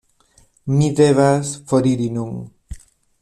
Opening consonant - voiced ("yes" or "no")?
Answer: yes